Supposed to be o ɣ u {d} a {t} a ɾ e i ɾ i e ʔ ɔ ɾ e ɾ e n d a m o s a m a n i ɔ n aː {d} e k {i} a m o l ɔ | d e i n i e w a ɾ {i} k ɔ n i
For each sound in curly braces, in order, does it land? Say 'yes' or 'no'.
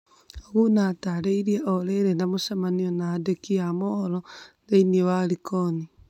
no, yes, yes, yes, yes

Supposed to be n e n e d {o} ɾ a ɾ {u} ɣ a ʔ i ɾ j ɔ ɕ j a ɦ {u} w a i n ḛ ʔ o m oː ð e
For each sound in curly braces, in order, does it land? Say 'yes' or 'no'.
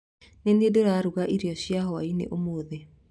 yes, yes, no

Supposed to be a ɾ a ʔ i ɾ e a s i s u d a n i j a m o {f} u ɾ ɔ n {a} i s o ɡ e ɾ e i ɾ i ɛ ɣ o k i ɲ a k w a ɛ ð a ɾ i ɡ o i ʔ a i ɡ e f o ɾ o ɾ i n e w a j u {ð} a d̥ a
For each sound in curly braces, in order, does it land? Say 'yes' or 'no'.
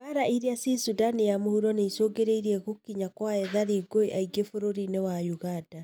no, no, no

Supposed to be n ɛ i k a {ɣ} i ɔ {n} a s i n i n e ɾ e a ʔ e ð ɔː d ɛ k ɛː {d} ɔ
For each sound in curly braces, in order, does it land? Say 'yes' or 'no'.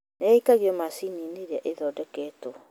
yes, no, no

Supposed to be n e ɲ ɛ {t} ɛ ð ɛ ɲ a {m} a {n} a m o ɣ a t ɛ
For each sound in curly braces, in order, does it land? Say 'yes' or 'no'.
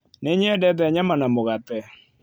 no, yes, yes

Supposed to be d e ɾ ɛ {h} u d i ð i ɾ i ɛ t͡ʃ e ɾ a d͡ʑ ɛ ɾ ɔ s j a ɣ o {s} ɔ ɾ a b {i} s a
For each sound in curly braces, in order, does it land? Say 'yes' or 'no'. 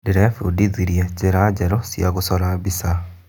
no, yes, yes

